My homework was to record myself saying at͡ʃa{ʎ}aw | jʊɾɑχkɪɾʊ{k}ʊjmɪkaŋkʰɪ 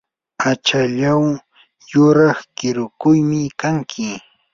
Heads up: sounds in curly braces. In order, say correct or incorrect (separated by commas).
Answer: correct, correct